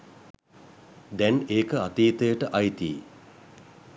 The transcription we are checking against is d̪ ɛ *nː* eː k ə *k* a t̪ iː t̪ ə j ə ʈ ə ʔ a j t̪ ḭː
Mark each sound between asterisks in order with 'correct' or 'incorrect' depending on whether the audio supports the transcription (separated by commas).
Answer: incorrect, incorrect